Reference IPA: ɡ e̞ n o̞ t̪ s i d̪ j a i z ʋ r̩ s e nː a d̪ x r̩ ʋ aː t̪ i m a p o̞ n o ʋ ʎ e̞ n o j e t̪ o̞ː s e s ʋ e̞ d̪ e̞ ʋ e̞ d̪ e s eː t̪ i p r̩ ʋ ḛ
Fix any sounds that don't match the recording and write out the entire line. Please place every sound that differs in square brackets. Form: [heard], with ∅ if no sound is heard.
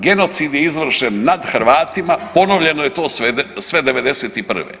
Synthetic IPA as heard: ɡ e̞ n o̞ t̪ s i d̪ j [e] i z ʋ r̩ [ʃ] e nː a d̪ x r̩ ʋ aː t̪ i m a p o̞ n o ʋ ʎ e̞ n o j e t̪ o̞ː s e s ʋ e̞ d̪ e̞ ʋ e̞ d̪ e s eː t̪ i p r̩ ʋ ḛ